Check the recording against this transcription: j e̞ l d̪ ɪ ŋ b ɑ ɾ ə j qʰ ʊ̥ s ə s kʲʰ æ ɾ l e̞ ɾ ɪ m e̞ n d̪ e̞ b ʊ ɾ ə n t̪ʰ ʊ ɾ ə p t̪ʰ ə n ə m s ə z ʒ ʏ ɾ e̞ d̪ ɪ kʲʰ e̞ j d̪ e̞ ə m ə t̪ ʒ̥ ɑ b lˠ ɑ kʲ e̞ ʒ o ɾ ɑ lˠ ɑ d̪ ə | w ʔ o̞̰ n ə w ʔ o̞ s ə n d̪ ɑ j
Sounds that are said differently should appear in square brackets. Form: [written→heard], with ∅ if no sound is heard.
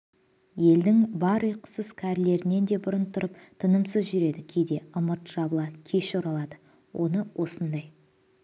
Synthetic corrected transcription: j e̞ l d̪ ɪ ŋ b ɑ ɾ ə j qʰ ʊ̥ s ə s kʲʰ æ ɾ l e̞ ɾ ɪ [m→n] e̞ n d̪ e̞ b ʊ ɾ ə n t̪ʰ ʊ ɾ ə p t̪ʰ ə n ə m s ə z ʒ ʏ ɾ e̞ d̪ ɪ kʲʰ e̞ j d̪ e̞ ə m ə t̪ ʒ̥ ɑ b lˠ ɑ [kʲ→kʲʰ] e̞ [ʒ→ʃ] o ɾ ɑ lˠ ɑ d̪ ə | w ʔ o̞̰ n ə w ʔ o̞ s ə n d̪ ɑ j